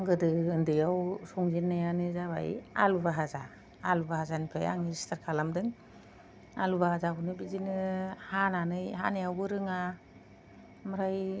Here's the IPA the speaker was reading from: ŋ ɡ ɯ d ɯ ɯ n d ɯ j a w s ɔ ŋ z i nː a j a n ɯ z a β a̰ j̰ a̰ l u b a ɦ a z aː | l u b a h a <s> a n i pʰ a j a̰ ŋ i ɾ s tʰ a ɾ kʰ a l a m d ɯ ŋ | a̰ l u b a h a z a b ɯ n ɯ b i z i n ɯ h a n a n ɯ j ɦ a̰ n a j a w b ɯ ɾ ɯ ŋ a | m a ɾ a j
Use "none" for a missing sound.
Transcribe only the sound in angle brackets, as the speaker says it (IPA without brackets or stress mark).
z